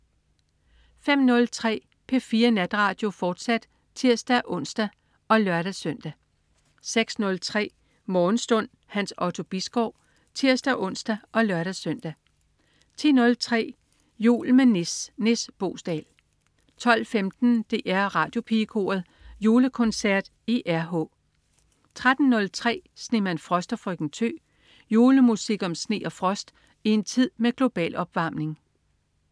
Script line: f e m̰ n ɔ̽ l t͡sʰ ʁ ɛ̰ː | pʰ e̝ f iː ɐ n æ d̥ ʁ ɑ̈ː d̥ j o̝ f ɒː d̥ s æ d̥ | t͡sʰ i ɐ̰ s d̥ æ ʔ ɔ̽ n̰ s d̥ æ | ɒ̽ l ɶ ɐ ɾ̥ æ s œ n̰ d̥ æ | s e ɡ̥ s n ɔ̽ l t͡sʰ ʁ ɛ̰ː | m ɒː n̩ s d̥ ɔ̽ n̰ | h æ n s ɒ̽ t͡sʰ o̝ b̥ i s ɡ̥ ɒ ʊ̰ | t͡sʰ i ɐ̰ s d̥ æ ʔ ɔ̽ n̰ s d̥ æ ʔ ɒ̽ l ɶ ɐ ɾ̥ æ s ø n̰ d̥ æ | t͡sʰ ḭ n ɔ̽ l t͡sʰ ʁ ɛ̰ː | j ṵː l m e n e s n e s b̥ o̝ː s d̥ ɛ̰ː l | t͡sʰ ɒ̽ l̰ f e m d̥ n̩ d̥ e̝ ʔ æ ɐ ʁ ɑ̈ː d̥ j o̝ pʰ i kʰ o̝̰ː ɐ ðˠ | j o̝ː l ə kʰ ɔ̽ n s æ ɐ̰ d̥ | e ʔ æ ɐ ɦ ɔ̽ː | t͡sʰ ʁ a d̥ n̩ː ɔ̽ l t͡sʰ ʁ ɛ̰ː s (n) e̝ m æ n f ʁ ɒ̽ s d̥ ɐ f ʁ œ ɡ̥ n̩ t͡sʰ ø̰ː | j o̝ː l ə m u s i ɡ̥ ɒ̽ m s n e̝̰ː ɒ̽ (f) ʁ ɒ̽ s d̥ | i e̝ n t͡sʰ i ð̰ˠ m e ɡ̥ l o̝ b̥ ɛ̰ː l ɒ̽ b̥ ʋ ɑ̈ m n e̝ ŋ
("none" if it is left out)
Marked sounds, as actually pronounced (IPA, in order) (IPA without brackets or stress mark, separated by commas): n, f